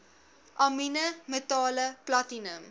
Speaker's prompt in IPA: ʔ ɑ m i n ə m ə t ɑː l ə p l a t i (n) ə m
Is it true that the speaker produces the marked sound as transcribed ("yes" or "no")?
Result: yes